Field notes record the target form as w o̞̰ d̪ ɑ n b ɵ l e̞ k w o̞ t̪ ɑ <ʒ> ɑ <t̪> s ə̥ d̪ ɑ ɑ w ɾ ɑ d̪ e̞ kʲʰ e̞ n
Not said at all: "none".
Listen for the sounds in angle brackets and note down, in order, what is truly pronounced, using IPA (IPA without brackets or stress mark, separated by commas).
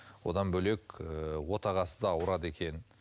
ʁ, none